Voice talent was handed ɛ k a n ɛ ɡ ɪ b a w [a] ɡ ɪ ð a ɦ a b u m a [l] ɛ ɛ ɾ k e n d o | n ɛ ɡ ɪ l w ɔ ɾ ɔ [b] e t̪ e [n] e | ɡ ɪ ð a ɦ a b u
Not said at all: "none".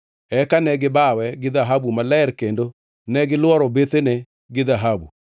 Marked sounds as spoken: ɛ, l, b, n

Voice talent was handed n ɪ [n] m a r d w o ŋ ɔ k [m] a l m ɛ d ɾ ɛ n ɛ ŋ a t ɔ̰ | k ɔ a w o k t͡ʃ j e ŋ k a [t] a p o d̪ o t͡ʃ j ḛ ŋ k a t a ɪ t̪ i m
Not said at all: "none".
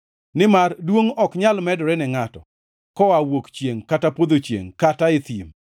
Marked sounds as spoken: none, ɲ, t

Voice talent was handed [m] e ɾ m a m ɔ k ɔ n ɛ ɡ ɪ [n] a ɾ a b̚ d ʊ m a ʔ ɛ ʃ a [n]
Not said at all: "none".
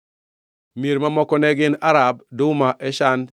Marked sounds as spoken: m, n, n

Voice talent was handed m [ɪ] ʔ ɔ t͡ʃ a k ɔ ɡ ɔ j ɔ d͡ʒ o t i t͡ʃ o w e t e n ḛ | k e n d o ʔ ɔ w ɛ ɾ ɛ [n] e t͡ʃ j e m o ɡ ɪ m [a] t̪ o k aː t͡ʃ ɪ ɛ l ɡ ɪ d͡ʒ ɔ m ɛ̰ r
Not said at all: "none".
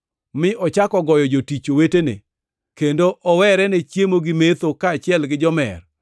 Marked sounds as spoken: ɪ, n, e

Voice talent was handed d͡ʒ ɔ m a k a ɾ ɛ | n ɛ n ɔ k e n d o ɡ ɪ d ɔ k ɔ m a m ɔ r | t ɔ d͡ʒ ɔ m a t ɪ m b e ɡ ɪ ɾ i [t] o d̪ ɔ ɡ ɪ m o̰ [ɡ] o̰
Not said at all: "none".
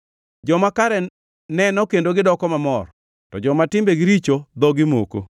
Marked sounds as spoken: t͡ʃ, k

